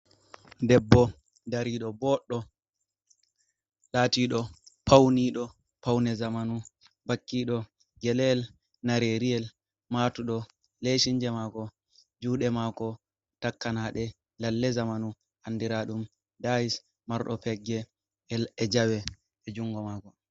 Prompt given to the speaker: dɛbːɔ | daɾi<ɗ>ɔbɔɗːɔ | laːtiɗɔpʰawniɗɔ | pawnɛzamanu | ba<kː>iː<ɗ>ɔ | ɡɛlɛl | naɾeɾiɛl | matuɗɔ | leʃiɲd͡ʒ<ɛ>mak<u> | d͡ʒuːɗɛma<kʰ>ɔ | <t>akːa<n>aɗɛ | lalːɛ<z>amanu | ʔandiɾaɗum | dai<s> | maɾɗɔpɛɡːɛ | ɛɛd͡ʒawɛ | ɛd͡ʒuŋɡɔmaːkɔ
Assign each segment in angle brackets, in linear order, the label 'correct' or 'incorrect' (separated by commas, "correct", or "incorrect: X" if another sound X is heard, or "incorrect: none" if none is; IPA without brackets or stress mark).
correct, correct, correct, correct, incorrect: ɔ, incorrect: k, correct, correct, correct, correct